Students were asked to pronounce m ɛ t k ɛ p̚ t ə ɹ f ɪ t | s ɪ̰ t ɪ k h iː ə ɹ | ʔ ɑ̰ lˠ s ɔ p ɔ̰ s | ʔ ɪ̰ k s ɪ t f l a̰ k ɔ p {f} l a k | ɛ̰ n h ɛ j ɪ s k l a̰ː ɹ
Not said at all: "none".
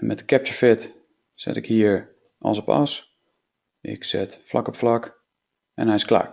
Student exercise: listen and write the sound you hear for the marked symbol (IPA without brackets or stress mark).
f